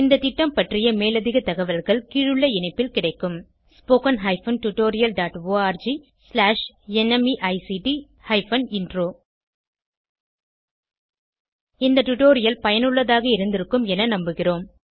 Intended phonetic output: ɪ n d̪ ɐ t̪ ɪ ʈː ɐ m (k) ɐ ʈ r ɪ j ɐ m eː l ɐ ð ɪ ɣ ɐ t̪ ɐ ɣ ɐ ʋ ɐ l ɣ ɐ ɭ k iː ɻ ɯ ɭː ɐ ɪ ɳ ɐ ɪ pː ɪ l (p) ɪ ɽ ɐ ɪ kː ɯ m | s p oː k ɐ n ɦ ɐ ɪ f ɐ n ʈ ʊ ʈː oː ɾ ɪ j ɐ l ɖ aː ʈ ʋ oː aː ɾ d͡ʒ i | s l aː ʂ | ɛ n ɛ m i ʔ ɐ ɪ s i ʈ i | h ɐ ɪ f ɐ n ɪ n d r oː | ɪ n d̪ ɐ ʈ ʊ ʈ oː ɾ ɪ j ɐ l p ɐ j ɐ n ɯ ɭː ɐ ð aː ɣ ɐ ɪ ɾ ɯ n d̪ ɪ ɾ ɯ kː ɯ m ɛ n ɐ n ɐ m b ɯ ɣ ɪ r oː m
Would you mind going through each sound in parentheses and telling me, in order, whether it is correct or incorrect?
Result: incorrect: p, incorrect: k

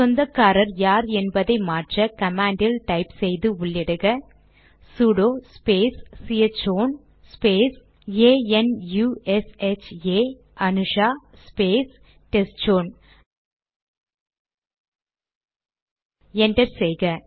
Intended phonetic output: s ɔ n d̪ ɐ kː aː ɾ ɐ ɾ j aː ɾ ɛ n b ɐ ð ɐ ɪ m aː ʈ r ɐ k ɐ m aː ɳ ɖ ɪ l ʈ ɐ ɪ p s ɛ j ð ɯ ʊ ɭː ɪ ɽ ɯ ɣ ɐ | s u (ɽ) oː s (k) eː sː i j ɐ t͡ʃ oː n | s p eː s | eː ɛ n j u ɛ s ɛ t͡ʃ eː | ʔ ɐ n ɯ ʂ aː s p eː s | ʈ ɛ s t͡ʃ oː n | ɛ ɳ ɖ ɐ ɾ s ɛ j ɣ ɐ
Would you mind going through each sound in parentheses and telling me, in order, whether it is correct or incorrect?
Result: correct, incorrect: p

